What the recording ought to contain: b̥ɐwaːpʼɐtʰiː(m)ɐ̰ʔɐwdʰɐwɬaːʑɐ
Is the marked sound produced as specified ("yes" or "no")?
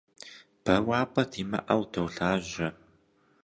yes